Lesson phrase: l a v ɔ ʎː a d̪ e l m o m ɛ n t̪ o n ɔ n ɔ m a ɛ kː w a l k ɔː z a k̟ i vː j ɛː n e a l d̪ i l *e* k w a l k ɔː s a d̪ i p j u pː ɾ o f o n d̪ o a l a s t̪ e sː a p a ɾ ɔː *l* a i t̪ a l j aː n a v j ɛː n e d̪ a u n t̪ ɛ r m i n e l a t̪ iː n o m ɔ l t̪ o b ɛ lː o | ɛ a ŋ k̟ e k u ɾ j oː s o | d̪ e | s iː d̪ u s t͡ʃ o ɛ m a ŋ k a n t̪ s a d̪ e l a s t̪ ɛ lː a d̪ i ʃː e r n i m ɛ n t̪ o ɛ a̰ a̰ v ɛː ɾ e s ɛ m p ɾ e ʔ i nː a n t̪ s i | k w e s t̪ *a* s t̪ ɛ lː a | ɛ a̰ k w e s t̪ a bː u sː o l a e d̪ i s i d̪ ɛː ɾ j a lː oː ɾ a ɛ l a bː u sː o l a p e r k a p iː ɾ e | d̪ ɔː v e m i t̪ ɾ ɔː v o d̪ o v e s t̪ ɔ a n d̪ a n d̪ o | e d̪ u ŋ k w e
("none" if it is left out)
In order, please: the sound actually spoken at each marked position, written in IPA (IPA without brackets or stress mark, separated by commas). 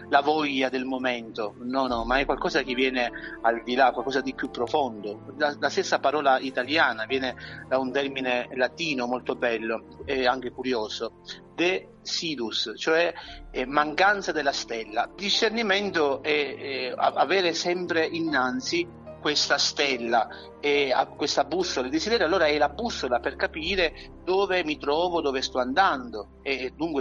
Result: a, l, a